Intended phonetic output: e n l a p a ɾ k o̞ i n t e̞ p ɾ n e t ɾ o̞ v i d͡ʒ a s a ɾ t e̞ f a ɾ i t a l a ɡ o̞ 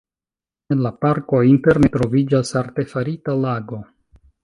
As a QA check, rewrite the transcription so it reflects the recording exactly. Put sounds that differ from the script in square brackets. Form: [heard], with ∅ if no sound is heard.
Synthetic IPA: e n l a p a ɾ k o̞ i n t e̞ [∅] ɾ n e t ɾ o̞ v i d͡ʒ a s a ɾ t e̞ f a ɾ i t a l a ɡ o̞